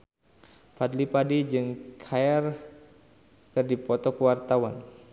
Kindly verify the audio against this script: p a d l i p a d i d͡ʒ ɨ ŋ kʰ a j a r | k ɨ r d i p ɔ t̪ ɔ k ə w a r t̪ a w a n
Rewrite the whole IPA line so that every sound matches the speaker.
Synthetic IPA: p a d l i p a d i d͡ʒ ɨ ŋ kʰ a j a r | k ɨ r d i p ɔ t̪ ɔ k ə w a r t̪ a w a n